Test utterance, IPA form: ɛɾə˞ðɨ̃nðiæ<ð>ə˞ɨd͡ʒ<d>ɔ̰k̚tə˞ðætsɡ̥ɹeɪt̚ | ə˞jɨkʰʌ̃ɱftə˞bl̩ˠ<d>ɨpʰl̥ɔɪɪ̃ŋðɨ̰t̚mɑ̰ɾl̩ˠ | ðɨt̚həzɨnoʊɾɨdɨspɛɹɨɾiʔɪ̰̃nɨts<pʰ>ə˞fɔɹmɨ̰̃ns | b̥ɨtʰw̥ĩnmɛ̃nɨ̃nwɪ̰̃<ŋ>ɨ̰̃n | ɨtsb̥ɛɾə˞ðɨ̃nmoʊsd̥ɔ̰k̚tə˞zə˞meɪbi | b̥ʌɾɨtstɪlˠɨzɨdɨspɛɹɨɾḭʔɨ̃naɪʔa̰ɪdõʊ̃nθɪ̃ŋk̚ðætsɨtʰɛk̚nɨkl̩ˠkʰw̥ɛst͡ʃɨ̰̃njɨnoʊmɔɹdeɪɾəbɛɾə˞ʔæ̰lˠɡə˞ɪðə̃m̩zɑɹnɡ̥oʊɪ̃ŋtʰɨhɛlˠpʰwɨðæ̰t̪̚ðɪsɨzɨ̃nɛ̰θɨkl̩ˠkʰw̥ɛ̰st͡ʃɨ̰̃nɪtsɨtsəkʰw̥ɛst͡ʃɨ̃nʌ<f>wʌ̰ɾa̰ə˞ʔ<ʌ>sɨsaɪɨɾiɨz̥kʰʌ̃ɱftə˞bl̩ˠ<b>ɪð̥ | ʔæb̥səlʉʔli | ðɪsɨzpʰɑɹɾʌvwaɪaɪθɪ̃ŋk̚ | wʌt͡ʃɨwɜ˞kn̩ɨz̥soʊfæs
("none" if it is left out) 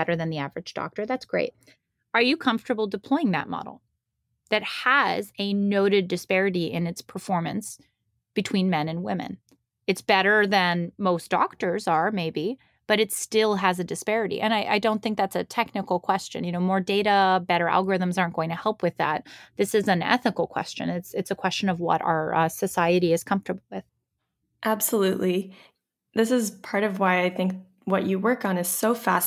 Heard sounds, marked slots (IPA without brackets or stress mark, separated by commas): v, d, d, pʰ, m, v, ʌ, w